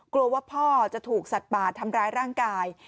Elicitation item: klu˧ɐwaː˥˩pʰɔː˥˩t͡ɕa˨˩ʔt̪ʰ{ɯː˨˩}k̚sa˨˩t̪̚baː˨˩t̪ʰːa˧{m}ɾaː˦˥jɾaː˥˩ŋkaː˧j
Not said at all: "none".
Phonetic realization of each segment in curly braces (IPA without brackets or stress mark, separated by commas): uː˨˩, m